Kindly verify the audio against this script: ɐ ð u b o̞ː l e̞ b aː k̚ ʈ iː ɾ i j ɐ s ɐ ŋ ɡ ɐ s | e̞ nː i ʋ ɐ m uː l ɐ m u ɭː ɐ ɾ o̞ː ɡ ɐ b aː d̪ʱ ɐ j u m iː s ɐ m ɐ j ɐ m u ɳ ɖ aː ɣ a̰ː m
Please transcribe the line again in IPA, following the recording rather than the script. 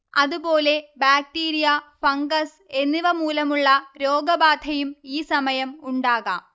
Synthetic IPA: ɐ ð u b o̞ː l e̞ b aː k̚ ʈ iː ɾ i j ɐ f ɐ ŋ ɡ ɐ s | e̞ nː i ʋ ɐ m uː l ɐ m u ɭː ɐ ɾ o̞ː ɡ ɐ b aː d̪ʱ ɐ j u m iː s ɐ m ɐ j ɐ m u ɳ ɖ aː ɣ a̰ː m

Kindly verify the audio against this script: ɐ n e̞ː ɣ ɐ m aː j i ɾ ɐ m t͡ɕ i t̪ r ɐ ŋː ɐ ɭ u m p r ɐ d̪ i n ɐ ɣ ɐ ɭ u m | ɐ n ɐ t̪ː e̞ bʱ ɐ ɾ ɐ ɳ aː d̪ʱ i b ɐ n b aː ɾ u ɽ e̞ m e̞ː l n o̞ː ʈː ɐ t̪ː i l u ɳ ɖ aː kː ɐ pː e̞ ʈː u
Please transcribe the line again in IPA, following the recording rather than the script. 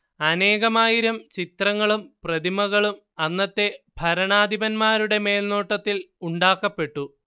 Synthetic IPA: ɐ n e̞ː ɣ ɐ m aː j i ɾ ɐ m t͡ɕ i t̪ r ɐ ŋː ɐ ɭ u m p r ɐ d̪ i m ɐ ɣ ɐ ɭ u m | ɐ nː ɐ t̪ː e̞ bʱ ɐ ɾ ɐ ɳ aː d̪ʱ i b ɐ n m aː ɾ u ɽ e̞ m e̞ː l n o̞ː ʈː ɐ t̪ː i l u ɳ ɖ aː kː ɐ pː e̞ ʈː u

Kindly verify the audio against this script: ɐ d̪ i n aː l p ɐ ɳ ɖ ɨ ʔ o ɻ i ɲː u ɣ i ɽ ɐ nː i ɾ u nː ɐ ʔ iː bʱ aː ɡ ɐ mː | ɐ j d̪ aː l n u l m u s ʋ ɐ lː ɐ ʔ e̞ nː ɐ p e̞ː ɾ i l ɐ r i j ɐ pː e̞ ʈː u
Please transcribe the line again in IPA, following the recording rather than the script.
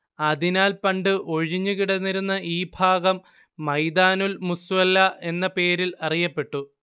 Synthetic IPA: ɐ d̪ i n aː l p ɐ ɳ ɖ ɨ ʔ o ɻ i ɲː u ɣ i ɽ ɐ nː i ɾ u nː ɐ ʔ iː bʱ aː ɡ ɐ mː | ɐ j d̪ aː n u l m u s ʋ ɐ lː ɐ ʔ e̞ nː ɐ p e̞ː ɾ i l ɐ r i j ɐ pː e̞ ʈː u

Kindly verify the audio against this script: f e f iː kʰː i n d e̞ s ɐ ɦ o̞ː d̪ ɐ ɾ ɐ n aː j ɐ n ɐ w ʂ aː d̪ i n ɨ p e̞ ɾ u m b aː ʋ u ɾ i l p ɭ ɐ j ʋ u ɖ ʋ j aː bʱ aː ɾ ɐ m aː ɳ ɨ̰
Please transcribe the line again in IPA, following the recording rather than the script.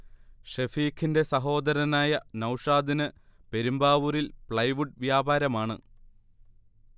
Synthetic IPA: ʂ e f iː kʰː i n d e̞ s ɐ ɦ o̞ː d̪ ɐ ɾ ɐ n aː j ɐ n ɐ w ʂ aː d̪ i n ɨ p e̞ ɾ u m b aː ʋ u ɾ i l p ɭ ɐ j ʋ u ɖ ʋ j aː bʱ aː ɾ ɐ m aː ɳ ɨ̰

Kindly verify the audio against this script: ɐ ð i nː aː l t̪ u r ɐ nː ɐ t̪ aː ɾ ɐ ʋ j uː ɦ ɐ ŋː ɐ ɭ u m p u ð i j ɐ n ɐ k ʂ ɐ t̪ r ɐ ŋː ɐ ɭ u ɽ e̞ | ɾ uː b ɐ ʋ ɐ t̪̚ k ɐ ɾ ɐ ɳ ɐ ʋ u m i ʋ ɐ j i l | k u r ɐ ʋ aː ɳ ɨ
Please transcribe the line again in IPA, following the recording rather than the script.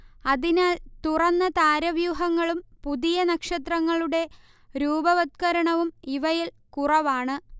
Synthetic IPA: ɐ ð i n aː l t̪ u r ɐ nː ɐ t̪ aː ɾ ɐ ʋ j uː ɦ ɐ ŋː ɐ ɭ u m p u ð i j ɐ n ɐ k ʂ ɐ t̪ r ɐ ŋː ɐ ɭ u ɽ e̞ | ɾ uː b ɐ ʋ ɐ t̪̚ k ɐ ɾ ɐ ɳ ɐ ʋ u m i ʋ ɐ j i l | k u r ɐ ʋ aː ɳ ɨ

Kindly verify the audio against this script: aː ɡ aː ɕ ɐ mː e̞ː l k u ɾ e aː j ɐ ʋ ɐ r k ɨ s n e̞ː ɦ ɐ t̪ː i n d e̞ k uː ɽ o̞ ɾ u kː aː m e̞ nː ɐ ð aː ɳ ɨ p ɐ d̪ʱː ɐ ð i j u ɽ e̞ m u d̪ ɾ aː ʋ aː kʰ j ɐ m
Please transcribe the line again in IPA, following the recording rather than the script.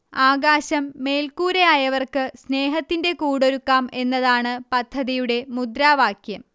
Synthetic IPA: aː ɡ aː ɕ ɐ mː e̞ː l k uː ɾ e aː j ɐ ʋ ɐ r k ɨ s n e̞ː ɦ ɐ t̪ː i n d e̞ k uː ɽ o̞ ɾ u kː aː m e̞ nː ɐ ð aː ɳ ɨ p ɐ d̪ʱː ɐ ð i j u ɽ e̞ m u d̪ ɾ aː ʋ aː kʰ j ɐ m

